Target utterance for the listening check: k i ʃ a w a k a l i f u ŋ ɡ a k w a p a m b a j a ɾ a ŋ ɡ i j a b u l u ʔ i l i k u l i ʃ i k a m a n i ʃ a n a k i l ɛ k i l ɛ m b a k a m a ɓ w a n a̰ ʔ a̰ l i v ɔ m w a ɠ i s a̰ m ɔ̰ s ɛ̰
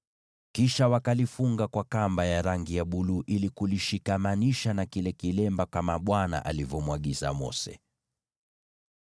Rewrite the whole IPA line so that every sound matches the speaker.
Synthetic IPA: k i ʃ a w a k a l i f u ŋ ɡ a k w a k a m b a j a ɾ a ŋ ɡ i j a ɓ u l u ʔ i l i k u l i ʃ i k a m a n i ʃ a n a k i l ɛ k i l ɛ m b a k a m a ɓ w a n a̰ ʔ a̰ l i v ɔ m w a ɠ i z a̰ m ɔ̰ s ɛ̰